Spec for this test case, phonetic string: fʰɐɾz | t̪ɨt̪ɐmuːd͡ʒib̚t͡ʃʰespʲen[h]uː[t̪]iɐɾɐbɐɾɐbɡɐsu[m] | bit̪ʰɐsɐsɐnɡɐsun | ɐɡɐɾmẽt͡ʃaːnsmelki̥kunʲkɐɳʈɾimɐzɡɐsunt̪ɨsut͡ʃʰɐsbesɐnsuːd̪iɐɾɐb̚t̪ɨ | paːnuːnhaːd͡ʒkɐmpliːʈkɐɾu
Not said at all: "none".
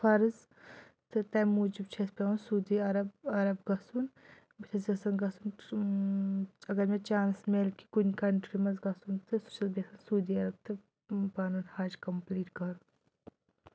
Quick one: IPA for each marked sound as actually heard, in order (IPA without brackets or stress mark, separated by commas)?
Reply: s, d̪, n